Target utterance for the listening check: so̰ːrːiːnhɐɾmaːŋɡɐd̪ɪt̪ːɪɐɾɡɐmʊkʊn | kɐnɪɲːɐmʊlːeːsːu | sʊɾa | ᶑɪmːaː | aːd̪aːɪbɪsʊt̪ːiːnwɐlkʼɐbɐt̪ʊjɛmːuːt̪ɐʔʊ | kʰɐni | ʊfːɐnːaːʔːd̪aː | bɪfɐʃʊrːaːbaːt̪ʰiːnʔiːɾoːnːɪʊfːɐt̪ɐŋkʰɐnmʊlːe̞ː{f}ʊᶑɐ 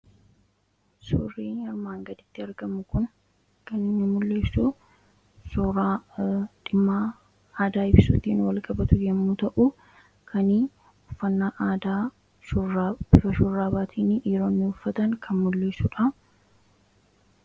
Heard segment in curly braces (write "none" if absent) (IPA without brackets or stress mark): s